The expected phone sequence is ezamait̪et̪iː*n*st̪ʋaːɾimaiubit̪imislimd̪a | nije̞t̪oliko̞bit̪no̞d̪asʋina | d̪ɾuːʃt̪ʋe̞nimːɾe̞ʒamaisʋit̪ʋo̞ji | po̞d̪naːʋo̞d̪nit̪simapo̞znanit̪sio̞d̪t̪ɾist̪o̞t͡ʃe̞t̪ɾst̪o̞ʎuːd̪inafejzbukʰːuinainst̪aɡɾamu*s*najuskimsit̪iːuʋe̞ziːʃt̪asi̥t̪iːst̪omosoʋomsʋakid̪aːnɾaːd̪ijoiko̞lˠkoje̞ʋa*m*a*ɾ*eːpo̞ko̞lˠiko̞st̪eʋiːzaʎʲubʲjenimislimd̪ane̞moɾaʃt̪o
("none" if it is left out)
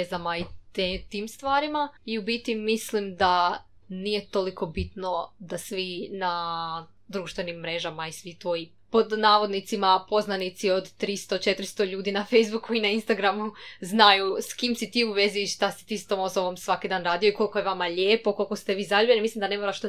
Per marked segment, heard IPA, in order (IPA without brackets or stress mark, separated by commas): m, z, m, ʎ